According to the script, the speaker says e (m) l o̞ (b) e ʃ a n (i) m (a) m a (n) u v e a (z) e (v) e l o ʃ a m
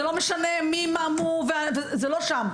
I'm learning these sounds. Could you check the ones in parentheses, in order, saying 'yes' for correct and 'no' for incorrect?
no, no, no, no, no, no, no

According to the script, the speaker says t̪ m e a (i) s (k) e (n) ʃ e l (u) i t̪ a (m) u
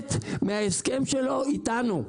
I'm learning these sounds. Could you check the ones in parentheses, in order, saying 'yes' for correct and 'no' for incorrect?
no, yes, no, no, no

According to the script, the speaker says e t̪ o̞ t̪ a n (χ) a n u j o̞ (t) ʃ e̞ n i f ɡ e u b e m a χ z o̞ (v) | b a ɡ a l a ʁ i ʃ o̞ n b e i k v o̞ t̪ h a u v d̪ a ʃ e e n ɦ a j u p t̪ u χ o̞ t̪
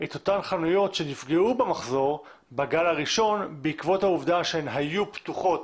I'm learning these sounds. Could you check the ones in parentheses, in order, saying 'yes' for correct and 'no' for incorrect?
yes, yes, no

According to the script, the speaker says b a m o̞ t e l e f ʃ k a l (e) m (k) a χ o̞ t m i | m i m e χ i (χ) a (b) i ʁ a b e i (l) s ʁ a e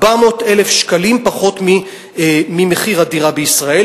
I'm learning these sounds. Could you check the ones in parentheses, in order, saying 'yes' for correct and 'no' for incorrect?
no, no, no, no, no

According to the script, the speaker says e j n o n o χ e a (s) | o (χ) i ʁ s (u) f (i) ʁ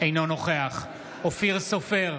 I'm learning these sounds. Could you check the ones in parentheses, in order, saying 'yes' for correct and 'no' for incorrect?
no, no, no, no

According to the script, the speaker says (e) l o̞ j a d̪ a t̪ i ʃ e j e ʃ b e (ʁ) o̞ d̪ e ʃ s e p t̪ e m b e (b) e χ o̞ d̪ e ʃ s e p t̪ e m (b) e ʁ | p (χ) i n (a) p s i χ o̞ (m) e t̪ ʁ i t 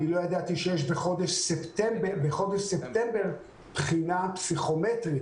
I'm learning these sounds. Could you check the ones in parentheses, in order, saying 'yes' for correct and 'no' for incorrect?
no, no, yes, yes, yes, yes, yes

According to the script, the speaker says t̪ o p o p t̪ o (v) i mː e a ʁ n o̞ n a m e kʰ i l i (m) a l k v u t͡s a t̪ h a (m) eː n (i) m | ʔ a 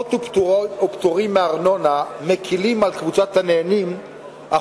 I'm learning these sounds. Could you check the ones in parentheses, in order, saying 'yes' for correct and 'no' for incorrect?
no, yes, no, yes

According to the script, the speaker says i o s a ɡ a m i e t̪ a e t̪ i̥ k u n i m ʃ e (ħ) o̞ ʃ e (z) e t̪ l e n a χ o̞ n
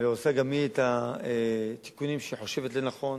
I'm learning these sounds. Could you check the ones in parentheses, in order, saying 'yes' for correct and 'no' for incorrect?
yes, no

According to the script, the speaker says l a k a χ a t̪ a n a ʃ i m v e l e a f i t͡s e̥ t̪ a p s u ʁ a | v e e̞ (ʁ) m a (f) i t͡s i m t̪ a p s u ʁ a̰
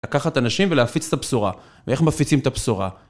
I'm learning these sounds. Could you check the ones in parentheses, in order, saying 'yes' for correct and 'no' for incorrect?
no, yes

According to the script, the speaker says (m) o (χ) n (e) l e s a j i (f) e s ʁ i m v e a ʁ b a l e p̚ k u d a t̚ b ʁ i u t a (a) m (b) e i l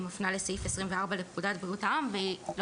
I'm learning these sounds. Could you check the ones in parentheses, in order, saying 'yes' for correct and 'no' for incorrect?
yes, no, no, yes, yes, no

